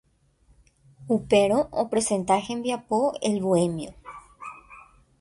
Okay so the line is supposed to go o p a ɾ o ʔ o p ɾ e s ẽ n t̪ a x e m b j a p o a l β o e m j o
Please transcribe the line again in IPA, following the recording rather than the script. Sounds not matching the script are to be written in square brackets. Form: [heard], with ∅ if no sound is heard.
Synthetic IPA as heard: [u] p [e] ɾ o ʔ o p ɾ e s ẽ n t̪ a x e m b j a p o [e] l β o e m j o